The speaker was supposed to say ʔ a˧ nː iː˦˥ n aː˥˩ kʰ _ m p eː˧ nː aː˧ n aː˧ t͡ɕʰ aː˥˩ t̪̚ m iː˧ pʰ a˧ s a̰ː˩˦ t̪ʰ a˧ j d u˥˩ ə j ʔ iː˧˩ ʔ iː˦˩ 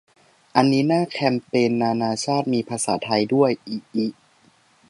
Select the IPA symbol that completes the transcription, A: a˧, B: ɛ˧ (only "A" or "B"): B